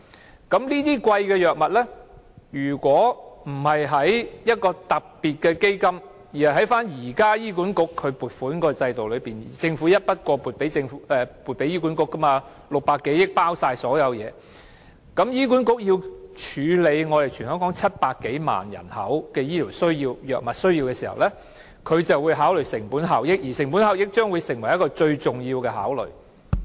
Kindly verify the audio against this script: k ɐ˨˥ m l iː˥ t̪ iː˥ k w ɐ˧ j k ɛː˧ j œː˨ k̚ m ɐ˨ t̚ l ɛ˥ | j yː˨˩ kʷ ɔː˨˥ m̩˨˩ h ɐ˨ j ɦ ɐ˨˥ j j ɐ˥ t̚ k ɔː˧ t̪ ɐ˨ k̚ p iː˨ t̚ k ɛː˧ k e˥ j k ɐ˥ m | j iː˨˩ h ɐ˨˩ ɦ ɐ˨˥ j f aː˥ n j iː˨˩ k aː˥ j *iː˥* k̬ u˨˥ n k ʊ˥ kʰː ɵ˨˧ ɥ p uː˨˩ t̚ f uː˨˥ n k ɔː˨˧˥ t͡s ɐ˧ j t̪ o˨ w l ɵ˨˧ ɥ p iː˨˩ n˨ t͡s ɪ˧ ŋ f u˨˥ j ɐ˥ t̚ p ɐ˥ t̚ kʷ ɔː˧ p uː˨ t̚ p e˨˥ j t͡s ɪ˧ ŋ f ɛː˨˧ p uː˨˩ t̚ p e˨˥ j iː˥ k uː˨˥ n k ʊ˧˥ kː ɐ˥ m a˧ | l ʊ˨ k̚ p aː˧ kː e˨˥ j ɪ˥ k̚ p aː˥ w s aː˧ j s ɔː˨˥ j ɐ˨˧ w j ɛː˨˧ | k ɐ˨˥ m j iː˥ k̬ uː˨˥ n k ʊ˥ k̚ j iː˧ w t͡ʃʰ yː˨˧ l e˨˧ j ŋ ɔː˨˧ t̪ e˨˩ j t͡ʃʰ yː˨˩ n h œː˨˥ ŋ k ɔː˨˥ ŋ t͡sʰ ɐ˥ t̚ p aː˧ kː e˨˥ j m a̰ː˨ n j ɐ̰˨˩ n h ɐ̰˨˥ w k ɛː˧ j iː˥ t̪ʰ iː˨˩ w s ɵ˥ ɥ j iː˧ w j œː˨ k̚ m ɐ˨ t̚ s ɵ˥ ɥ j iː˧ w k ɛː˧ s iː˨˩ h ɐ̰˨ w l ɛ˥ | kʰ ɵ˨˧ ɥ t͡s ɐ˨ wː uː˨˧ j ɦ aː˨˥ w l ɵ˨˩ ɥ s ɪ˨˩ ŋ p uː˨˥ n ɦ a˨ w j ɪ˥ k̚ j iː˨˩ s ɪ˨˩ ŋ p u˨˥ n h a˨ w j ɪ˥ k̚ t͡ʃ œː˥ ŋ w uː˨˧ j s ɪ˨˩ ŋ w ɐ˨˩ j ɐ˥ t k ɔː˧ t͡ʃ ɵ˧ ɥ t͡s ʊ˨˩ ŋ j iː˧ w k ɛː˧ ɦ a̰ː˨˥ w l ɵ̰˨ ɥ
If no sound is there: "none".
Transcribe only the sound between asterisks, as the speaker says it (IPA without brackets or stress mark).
iː˥